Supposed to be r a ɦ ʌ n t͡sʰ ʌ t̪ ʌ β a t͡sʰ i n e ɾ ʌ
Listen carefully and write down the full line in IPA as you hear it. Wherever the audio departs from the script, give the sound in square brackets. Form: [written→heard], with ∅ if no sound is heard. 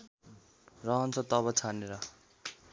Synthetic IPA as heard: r [a→ʌ] ɦ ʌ n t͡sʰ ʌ t̪ ʌ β [a→ʌ] t͡sʰ [i→a] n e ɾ ʌ